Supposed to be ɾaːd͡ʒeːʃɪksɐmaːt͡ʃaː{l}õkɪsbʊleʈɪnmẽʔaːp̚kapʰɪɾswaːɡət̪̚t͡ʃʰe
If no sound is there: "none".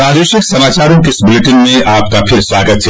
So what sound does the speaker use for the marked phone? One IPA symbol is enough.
ɾ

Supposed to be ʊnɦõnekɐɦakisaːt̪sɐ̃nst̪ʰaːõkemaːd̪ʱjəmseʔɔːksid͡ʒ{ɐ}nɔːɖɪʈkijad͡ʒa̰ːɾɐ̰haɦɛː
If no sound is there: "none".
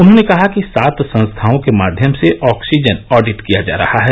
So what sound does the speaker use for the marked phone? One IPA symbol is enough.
ə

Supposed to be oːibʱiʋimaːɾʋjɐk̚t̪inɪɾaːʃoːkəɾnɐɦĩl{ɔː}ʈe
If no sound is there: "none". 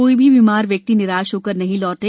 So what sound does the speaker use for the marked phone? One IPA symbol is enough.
ɔː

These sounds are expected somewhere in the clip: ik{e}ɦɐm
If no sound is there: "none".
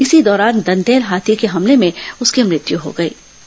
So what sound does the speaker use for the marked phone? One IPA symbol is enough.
e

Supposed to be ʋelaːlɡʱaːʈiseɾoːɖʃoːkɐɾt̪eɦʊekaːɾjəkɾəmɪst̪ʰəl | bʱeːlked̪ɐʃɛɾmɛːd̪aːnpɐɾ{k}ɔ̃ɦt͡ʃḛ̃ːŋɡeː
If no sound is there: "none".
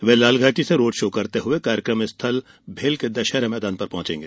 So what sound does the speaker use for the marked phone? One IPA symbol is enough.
p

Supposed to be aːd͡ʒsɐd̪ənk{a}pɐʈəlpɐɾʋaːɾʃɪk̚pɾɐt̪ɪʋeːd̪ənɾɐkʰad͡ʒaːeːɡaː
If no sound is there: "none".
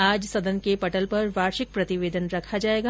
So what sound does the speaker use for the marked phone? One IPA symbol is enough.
e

